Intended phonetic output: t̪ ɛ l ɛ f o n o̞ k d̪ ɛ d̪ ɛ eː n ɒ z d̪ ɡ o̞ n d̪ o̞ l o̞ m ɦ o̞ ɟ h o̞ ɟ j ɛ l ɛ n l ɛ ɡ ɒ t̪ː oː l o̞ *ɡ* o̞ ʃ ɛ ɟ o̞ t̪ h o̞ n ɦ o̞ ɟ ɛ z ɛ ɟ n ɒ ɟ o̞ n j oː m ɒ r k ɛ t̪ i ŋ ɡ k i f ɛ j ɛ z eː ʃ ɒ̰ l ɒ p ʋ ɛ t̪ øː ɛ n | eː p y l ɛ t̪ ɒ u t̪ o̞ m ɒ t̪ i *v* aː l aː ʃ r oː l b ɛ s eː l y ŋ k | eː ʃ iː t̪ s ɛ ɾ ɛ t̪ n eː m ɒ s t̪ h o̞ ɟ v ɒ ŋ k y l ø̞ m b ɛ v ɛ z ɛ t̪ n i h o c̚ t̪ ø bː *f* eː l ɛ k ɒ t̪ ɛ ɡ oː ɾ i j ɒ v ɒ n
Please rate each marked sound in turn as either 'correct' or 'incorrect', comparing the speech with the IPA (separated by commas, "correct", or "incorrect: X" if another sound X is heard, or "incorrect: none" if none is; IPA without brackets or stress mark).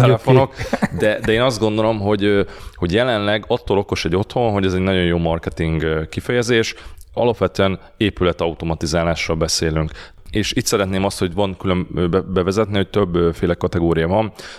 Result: incorrect: k, incorrect: z, correct